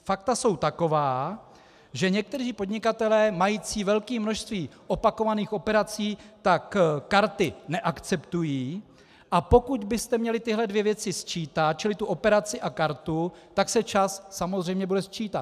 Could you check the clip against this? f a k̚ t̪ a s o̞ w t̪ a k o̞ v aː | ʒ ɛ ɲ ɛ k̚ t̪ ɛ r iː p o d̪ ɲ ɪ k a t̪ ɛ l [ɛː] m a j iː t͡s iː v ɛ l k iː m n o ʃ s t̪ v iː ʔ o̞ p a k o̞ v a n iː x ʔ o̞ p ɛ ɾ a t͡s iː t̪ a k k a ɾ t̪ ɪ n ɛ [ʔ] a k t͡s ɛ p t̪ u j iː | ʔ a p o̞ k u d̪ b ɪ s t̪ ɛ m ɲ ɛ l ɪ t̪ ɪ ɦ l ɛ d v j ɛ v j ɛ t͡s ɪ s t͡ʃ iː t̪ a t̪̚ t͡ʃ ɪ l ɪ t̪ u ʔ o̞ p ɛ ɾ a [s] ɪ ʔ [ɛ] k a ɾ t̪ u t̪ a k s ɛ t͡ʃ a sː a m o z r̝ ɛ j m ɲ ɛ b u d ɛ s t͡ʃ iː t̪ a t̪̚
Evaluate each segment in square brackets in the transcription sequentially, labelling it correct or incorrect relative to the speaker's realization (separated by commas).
correct, correct, incorrect, incorrect